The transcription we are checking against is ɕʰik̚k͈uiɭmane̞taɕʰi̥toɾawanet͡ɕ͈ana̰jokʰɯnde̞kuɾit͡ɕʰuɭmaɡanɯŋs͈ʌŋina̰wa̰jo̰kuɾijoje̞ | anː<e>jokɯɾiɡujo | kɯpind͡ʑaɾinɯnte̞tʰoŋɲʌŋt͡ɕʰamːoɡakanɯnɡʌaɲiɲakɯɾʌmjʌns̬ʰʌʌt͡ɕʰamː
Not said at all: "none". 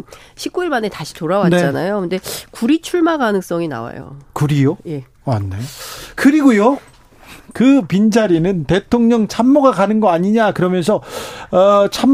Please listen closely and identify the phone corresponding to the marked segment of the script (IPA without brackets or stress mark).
e